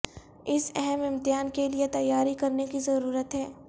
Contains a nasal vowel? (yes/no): no